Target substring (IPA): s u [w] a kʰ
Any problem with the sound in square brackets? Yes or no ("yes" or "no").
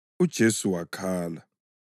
no